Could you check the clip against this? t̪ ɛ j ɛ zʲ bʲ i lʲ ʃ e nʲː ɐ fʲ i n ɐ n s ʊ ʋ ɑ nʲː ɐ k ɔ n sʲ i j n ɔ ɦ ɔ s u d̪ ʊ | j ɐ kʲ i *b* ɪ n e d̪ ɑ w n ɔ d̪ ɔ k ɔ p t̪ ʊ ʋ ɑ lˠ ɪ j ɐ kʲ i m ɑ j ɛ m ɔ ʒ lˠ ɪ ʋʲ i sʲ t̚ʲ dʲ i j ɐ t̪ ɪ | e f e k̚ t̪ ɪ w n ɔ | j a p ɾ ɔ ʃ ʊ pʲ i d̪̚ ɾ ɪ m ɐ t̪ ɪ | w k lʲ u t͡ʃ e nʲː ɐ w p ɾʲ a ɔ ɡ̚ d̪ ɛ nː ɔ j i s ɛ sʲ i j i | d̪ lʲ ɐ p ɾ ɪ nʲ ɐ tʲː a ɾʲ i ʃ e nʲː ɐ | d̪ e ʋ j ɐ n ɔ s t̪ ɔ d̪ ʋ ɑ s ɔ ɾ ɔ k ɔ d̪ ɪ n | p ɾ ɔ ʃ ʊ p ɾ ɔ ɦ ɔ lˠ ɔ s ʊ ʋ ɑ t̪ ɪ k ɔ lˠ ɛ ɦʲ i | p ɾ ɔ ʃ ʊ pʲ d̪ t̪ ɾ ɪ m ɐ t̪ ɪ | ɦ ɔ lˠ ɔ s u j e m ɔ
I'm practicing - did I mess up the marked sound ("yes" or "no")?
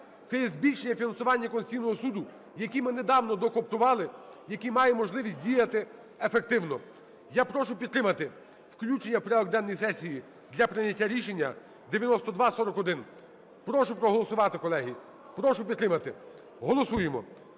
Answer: yes